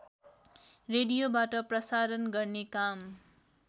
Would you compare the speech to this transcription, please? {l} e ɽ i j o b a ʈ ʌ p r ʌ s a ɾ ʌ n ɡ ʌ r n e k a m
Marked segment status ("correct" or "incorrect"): incorrect